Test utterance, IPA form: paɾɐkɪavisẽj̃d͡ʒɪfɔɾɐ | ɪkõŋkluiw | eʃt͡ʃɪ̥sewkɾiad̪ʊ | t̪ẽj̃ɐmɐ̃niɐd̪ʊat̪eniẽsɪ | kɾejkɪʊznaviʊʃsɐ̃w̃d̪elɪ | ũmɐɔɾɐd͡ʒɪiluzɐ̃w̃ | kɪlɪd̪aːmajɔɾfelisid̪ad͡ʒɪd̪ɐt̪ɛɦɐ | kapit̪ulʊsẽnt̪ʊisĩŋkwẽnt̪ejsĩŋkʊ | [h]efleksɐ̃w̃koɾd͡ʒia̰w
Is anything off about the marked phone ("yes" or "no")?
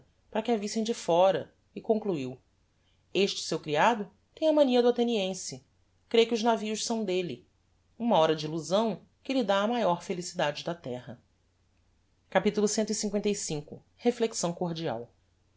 no